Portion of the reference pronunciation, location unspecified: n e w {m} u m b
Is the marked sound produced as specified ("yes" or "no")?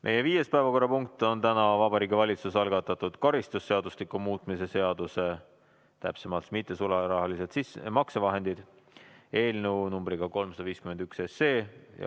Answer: no